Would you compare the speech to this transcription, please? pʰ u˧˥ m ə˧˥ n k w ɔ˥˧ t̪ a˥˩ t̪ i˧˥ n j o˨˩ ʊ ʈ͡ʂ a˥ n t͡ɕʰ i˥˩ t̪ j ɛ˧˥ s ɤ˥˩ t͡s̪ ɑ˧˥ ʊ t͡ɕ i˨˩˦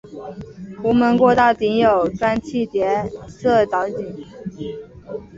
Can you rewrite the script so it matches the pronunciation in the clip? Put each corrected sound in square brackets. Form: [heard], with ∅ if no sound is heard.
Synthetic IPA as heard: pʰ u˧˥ m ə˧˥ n k w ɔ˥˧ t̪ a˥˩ t̪ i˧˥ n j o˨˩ ʊ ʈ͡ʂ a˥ n t͡ɕʰ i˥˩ t̪ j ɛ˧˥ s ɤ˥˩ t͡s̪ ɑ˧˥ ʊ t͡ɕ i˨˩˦